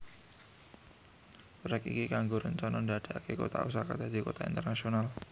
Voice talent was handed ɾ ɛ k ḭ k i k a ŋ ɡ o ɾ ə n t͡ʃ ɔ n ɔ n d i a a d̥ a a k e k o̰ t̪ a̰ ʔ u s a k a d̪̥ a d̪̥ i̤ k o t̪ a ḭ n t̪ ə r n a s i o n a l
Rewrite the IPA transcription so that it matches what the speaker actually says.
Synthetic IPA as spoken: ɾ ɛ k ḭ k i k a ŋ ɡ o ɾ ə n t͡ʃ ɔ n ɔ n d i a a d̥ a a k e k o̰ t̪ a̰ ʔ u s a k a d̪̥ a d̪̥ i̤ k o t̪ a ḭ n t̪ ə r n a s i o n a l